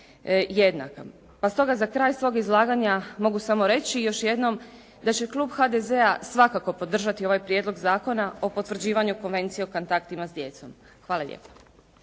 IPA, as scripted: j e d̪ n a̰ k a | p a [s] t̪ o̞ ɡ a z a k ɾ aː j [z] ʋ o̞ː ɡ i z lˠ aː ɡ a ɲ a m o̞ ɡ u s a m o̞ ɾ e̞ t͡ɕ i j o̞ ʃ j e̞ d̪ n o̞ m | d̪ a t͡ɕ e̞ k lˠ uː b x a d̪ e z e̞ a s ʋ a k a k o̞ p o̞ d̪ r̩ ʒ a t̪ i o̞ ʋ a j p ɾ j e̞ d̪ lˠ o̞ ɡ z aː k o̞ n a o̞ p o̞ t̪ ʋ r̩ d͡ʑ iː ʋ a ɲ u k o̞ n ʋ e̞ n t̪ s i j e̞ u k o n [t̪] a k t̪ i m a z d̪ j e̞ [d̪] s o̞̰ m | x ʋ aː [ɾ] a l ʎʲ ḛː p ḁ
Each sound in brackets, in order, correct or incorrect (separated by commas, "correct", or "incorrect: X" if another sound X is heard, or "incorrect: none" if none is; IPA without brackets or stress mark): correct, incorrect: s, correct, incorrect: t̪, incorrect: l